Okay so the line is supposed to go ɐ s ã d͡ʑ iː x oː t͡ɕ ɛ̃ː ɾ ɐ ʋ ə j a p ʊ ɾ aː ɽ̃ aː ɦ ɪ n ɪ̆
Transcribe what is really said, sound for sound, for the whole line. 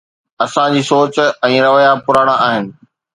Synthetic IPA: ɐ s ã d͡ʑ iː s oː t͡ɕ ɛ̃ː ɾ ɐ ʋ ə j a p ʊ ɾ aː ɽ̃ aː ɦ ɪ n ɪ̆